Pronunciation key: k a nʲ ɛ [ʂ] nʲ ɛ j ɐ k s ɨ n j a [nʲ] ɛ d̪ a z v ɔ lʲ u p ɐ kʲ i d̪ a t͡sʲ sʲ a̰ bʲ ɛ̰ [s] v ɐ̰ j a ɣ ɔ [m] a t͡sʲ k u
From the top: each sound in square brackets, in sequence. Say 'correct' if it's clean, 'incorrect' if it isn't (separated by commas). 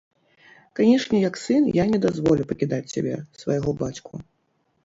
correct, correct, correct, incorrect